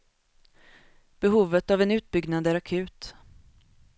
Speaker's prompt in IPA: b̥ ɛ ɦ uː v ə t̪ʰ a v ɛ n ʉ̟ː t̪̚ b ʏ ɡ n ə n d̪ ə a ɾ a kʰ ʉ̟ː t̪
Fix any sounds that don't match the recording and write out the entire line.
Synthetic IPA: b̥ ɛ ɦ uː v ə t̪ a v ɛ n ʉ̟ː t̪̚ b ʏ ɡ n a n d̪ ə æ ɾ a kʰ ʉ̟ː t̪

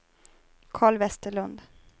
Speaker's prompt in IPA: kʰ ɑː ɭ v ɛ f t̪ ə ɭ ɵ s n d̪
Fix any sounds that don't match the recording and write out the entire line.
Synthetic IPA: kʰ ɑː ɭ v ɛ s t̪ ə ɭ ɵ n d̪

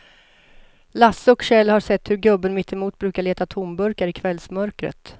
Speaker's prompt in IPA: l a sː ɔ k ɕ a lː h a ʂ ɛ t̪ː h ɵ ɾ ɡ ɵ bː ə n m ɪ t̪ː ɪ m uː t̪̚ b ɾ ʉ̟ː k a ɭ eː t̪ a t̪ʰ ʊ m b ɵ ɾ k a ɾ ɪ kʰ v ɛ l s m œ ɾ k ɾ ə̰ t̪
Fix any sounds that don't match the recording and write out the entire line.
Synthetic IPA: l a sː ɔ k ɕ ɛ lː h a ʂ ɛ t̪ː h ɵ ɾ ɡ ɵ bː ə n m ɪ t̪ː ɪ m uː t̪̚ b ɾ ʉ̟ː k a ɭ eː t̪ a t̪ʰ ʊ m b ɵ ɾ k a ɾ ɪ kʰ v ɛ l s m œ ɾ k ɾ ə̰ t̪

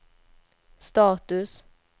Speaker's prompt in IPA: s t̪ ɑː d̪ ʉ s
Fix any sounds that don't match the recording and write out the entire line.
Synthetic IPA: s t̪ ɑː t̪ ʉ s

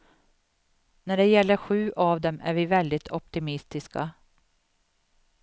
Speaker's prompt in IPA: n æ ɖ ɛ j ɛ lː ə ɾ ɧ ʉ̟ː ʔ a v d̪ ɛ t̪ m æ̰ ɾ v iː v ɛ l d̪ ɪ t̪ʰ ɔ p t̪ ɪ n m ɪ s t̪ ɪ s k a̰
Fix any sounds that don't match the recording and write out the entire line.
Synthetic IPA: n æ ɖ ɛ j ɛ lː ə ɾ ɧ ʉ̟ː ʔ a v d̪ ɛ m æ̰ ɾ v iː v ɛ l d̪ ɪ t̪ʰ ɔ p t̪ ɪ m ɪ s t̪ ɪ s k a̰

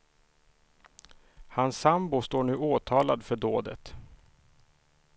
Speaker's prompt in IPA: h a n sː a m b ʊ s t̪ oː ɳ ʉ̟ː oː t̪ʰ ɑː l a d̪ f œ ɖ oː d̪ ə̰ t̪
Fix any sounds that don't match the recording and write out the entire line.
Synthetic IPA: h a n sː a m b ʊ s t̪ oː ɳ ʉ̟ː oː t̪ʰ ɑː l a d̪ f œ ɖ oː d̪ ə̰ t̪

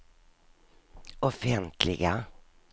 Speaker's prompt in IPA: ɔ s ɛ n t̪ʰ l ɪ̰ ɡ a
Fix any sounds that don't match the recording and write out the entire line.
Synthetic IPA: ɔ f ɛ n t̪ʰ l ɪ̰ ɡ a

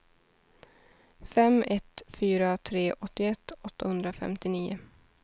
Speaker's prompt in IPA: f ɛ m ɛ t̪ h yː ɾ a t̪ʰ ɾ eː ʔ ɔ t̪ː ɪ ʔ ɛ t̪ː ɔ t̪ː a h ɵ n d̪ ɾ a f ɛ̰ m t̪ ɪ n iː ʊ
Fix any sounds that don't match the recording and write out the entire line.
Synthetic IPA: f ɛ m ɛ t̪ f yː ɾ a t̪ʰ ɾ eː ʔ ɔ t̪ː ɪ ɛ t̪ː ɔ t̪ː a h ɵ n d̪ ɾ a f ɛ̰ m t̪ ɪ n iː ʊ

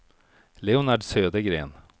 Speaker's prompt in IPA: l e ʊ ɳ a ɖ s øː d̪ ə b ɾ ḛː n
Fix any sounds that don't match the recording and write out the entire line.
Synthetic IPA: l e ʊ n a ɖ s øː d̪ ə ɡ ɾ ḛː n

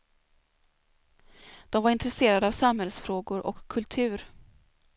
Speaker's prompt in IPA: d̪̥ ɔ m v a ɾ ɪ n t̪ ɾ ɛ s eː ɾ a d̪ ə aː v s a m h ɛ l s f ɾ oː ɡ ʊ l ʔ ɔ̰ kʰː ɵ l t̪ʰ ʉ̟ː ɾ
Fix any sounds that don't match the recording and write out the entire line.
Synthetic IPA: d̪̥ ɔ m v a ɾ ɪ n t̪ ɾ ɛ s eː ɾ a d̪ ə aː v s a m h ɛ l s f ɾ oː ɡ ʊ ɾ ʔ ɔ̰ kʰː ɵ l t̪ʰ ʉ̟ː ɾ

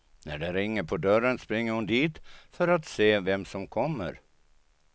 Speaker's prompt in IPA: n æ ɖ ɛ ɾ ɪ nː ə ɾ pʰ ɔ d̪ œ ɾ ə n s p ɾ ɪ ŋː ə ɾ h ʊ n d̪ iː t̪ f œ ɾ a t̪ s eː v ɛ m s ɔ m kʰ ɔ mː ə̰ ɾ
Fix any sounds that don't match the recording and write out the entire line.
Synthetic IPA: n æ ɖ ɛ ɾ ɪ ŋː ə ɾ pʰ ɔ d̪ œ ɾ ə n s p ɾ ɪ ŋː ə ɾ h ʊ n d̪ iː t̪ f œ ɾ a t̪ s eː v ɛ m s ɔ m kʰ ɔ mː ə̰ ɾ

